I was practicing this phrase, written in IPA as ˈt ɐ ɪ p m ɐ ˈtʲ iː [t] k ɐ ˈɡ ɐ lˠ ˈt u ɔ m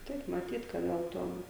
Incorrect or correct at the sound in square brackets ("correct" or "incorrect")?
correct